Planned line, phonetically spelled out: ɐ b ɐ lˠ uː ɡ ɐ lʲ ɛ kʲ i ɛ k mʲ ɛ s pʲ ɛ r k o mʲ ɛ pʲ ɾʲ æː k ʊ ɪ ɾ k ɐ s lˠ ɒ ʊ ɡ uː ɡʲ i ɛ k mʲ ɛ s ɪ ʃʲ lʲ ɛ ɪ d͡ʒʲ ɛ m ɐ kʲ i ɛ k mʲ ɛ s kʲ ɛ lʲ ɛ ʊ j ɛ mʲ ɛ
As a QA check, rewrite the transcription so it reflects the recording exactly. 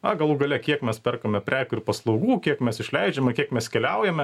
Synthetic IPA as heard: ɐ ɡ ɐ lˠ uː ɡ ɐ lʲ ɛ kʲ i ɛ k mʲ ɛ s pʲ ɛ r k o mʲ ɛ pʲ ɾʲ æː k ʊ ɪ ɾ p ɐ s lˠ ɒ ʊ ɡ uː kʲ i ɛ k mʲ ɛ s ɪ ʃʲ lʲ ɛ ɪ d͡ʒʲ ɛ m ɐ kʲ i ɛ k mʲ ɛ s kʲ ɛ lʲ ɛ ʊ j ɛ mʲ ɛ